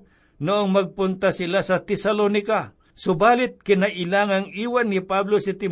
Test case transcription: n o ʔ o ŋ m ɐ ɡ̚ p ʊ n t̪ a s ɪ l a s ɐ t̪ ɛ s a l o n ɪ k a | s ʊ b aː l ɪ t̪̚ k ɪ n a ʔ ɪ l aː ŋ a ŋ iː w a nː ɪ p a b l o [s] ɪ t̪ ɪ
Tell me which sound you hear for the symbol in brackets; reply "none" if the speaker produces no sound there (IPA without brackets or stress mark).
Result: s